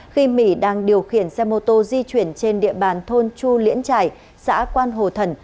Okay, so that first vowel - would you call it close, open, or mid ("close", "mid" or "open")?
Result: close